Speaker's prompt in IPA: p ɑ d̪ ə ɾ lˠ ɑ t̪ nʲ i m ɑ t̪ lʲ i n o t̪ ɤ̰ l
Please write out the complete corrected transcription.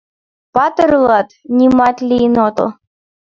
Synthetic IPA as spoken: p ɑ t̪ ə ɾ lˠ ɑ t̪ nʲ i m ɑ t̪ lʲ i n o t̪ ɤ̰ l